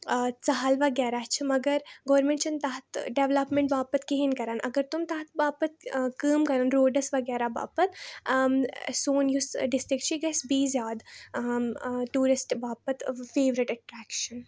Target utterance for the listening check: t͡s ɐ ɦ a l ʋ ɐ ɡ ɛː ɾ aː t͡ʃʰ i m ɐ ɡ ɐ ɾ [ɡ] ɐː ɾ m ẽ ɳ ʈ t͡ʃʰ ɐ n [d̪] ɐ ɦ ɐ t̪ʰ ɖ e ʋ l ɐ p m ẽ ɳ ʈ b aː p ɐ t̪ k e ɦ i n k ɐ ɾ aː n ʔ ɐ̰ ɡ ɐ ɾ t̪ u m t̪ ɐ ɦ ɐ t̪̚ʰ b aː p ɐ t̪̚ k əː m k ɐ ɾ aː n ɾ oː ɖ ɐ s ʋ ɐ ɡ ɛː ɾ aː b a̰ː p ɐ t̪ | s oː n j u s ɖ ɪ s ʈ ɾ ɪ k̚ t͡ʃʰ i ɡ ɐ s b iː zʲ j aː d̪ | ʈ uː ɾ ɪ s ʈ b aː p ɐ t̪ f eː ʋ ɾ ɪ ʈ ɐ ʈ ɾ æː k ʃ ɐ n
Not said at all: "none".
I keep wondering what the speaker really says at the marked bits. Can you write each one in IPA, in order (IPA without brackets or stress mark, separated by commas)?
ɡ, t̪